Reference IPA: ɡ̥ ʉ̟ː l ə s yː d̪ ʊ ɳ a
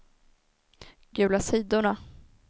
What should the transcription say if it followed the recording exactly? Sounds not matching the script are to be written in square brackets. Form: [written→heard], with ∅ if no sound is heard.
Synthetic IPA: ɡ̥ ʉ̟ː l [ə→a] s [yː→iː] d̪ ʊ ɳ a

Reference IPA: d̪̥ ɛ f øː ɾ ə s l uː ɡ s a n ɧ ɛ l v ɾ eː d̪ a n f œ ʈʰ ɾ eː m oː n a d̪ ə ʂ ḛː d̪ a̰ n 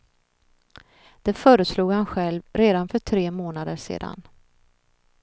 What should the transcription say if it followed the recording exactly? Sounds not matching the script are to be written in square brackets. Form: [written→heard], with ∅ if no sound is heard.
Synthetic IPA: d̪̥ ɛ f [øː→œː] ɾ ə s l uː ɡ [s→h] a n ɧ ɛ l v ɾ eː d̪ a n f œ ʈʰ ɾ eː m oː n a d̪ ə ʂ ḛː d̪ a̰ n

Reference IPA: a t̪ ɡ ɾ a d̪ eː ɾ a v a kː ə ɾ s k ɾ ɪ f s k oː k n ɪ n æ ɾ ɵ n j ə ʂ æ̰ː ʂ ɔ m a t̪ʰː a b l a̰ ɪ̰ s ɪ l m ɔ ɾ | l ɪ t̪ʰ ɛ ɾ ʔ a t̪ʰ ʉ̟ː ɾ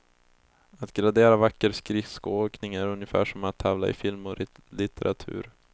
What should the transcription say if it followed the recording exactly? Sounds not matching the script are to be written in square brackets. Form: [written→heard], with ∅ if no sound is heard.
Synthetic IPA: a t̪ ɡ ɾ a d̪ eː ɾ a v a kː ə ɾ s k ɾ ɪ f s k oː k n ɪ [n→ŋ] æ ɾ ɵ n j ə [ʂ→f] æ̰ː ʂ ɔ m a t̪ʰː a [b→v] l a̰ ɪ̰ [s→f] ɪ l m ɔ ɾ | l ɪ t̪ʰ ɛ ɾ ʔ a t̪ʰ ʉ̟ː ɾ

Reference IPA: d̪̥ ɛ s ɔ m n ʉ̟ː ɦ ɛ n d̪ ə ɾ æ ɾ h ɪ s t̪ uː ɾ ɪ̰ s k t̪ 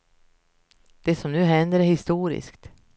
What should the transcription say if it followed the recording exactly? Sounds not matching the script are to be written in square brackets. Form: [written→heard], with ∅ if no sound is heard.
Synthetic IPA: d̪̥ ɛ s ɔ m n ʉ̟ː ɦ ɛ n d̪ ə ɾ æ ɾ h ɪ s t̪ uː ɾ ɪ̰ s k t̪

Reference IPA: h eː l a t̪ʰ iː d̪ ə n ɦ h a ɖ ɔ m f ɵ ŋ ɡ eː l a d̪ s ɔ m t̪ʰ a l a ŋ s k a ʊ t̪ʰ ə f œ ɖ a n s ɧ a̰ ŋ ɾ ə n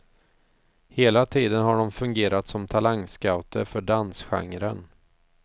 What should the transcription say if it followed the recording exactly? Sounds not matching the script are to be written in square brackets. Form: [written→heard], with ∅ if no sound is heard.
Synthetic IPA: h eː l a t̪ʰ iː d̪ ə n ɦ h a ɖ ɔ m f ɵ ŋ ɡ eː [l→ɾ] a [d̪→t̪] s ɔ m t̪ʰ a l a ŋ s k a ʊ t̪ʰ ə f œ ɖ a n s ɧ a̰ ŋ ɾ ə n

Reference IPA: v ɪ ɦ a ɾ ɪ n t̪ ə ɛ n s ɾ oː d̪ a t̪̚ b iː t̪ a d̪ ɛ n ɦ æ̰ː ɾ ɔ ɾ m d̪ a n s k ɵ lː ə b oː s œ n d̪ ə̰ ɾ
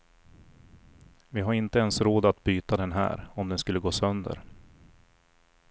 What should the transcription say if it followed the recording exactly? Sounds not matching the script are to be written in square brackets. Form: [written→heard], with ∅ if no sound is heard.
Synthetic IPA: v ɪ ɦ a ɾ ɪ n t̪ ə ɛ n s ɾ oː d̪ a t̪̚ b [iː→yː] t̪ a d̪ ɛ n ɦ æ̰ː ɾ ɔ [ɾ→∅] m d̪ [a→ɛ] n s k ɵ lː ə [b→ɡ] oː s œ n d̪ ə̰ ɾ

